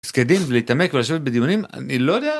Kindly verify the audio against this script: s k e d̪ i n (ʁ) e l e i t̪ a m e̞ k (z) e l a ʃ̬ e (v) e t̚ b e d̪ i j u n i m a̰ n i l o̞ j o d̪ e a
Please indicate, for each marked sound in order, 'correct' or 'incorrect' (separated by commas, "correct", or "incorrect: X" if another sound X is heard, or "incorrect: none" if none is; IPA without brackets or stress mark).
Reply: incorrect: v, incorrect: v, correct